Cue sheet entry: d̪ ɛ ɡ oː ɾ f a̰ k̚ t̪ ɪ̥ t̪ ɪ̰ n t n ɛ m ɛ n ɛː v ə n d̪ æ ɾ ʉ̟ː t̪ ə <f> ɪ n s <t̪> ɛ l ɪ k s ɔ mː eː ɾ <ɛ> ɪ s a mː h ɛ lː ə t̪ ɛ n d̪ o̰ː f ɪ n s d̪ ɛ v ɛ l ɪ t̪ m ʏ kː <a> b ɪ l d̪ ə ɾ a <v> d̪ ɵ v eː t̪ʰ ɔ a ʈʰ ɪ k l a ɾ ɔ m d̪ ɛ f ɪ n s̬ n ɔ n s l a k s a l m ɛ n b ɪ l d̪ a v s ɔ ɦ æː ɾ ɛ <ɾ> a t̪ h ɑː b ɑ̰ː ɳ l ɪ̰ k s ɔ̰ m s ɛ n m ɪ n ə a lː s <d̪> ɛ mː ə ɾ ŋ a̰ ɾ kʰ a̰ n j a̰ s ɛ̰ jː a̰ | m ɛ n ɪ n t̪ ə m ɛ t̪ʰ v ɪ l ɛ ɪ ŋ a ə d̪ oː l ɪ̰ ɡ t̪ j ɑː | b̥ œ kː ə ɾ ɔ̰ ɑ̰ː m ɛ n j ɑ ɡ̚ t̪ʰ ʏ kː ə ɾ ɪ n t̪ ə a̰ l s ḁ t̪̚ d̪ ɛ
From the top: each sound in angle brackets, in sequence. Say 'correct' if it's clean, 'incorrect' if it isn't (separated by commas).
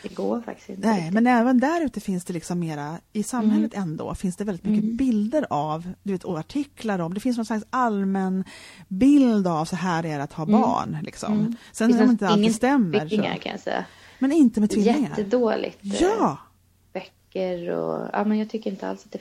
correct, incorrect, incorrect, incorrect, correct, correct, incorrect